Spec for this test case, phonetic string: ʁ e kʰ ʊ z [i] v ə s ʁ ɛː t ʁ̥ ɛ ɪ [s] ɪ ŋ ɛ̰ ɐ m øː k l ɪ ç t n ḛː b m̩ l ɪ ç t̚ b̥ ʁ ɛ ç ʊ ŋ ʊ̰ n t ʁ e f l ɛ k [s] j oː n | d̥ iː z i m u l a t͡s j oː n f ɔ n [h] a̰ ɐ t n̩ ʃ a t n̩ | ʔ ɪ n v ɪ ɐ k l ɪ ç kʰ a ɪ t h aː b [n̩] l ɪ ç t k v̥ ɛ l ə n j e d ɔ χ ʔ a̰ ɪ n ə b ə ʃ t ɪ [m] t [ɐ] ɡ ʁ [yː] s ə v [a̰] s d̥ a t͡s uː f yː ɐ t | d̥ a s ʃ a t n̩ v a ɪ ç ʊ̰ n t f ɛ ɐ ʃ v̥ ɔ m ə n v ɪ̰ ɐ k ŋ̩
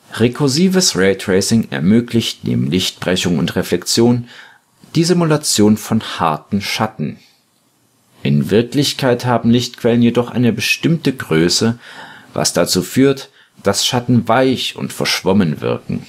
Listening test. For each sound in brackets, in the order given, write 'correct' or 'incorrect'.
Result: incorrect, correct, incorrect, correct, incorrect, correct, incorrect, incorrect, correct

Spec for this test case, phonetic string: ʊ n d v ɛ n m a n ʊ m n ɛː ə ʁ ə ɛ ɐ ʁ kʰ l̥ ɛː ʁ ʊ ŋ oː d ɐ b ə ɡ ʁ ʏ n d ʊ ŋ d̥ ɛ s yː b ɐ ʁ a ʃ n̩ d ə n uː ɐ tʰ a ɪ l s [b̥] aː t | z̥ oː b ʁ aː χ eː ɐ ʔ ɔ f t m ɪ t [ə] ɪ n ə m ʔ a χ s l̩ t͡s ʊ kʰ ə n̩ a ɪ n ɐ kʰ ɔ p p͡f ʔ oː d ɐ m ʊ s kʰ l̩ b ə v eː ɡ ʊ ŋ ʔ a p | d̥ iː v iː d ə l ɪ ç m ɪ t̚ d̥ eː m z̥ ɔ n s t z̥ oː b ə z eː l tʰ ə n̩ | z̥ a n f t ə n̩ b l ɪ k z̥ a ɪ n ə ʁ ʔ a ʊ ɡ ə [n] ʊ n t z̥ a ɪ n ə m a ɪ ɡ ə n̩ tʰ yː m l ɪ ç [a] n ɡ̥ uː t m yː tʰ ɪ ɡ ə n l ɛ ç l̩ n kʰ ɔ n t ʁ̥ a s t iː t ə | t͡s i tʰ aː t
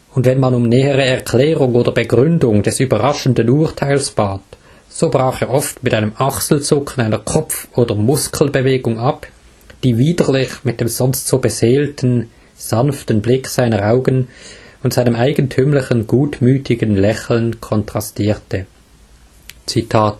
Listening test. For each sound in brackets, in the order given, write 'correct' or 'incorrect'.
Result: correct, incorrect, correct, incorrect

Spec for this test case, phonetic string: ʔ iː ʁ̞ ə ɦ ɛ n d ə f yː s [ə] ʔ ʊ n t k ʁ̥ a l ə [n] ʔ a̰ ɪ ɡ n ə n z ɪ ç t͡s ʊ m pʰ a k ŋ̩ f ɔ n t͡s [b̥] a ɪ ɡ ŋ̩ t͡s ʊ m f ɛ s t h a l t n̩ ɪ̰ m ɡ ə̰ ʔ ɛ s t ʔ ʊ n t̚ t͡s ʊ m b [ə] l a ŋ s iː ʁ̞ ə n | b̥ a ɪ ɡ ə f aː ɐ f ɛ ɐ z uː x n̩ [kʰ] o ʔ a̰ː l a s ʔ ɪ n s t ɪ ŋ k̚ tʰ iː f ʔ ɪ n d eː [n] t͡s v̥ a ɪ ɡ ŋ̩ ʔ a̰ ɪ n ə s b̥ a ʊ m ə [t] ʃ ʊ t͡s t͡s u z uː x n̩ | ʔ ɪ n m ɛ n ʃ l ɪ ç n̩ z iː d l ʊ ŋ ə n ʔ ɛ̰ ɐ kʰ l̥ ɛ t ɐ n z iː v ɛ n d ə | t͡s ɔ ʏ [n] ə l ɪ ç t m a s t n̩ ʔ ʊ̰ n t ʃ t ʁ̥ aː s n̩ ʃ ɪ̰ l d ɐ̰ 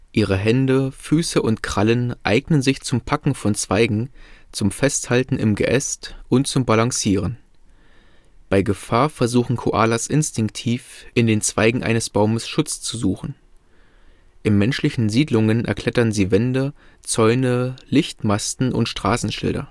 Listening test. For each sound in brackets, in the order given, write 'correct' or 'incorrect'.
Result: correct, correct, incorrect, incorrect, correct, correct, incorrect, correct

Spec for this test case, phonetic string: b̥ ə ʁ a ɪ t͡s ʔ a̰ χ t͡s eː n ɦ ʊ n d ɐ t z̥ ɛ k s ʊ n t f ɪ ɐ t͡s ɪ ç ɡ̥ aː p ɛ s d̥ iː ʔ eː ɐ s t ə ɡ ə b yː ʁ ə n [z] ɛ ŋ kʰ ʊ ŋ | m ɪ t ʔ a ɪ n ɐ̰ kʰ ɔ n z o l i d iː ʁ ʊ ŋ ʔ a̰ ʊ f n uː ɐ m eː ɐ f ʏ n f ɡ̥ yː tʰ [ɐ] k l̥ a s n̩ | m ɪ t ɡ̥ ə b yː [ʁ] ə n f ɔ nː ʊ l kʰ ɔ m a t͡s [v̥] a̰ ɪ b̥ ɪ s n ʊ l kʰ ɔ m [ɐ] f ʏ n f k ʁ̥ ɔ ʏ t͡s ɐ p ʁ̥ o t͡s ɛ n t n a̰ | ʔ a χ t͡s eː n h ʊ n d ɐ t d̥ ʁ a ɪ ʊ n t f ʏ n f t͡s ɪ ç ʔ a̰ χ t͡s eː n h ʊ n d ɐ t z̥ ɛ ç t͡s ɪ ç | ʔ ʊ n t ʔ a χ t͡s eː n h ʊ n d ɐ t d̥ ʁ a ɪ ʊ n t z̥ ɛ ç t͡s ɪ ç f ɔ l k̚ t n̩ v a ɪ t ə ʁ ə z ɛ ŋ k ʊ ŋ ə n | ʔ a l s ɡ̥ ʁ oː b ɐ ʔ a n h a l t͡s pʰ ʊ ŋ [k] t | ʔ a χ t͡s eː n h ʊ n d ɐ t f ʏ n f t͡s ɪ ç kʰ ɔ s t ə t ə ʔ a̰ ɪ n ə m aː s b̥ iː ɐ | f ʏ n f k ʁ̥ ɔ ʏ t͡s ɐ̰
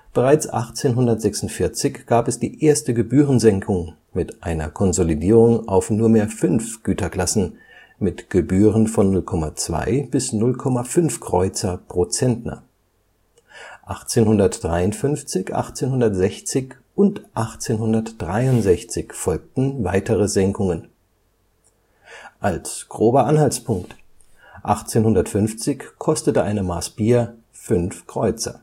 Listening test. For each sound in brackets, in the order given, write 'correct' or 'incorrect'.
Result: correct, correct, correct, correct, incorrect, correct

